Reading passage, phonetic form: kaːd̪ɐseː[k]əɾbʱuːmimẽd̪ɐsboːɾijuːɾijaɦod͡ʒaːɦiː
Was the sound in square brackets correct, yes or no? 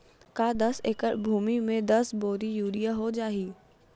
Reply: yes